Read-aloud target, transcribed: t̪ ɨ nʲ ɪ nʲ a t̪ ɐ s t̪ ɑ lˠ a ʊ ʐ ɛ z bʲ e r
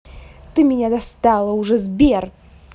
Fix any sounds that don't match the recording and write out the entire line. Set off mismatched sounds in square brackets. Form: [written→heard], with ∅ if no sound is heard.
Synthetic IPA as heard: t̪ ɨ [nʲ→mʲ] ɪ nʲ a [t̪→d̪] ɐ s t̪ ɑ lˠ [a→ə] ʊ ʐ ɛ z bʲ e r